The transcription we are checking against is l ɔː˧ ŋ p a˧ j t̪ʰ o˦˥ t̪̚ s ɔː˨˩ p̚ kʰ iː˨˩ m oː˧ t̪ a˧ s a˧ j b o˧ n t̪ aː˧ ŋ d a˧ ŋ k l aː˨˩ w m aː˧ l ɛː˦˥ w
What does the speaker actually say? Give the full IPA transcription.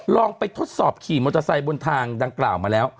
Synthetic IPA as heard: l ɔː˧ ŋ p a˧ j t̪ʰ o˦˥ t̪̚ s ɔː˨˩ p̚ kʰ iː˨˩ m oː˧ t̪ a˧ s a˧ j b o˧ n t̪ʰ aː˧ ŋ d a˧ ŋ k l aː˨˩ w m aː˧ l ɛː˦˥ w